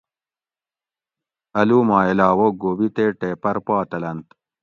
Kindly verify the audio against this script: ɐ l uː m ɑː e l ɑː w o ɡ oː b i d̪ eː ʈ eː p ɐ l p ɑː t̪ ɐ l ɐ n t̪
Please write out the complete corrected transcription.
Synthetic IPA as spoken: ɐ l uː m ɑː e l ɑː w o ɡ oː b i t̪ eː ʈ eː p ɐ ɾ p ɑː t̪ ɐ l ɐ n t̪